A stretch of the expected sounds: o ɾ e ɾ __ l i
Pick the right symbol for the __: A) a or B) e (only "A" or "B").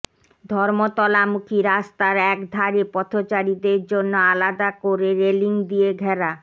B